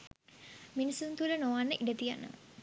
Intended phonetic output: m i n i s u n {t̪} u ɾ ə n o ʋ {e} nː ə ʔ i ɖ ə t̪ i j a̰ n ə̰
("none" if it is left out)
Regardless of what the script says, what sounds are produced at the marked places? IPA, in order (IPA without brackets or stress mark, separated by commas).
t̪, a